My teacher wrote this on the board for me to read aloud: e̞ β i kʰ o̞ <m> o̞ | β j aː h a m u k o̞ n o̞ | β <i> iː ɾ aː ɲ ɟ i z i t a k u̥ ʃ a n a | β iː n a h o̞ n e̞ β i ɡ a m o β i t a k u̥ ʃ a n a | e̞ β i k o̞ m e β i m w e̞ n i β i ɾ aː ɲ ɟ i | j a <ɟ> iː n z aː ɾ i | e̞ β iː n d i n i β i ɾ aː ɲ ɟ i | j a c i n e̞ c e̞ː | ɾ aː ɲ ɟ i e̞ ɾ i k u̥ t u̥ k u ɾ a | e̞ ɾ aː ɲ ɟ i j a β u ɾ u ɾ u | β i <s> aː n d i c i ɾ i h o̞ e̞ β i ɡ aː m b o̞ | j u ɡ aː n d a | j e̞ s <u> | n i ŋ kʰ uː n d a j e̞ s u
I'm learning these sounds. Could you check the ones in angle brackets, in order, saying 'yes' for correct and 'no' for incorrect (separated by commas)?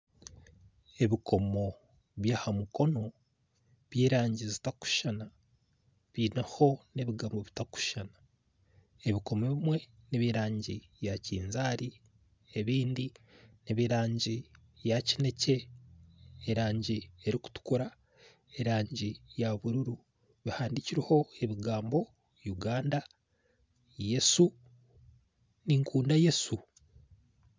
yes, no, no, no, yes